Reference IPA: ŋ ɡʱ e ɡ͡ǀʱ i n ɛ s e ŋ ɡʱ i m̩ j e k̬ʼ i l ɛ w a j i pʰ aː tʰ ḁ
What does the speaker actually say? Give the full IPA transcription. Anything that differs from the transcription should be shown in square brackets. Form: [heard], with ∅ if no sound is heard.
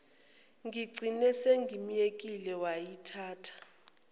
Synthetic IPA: ŋ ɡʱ [i] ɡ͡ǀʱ i n ɛ s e ŋ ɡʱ i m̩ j e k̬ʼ i l ɛ w a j i [tʰ] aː tʰ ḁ